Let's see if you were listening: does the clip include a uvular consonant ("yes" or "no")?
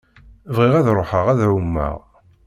yes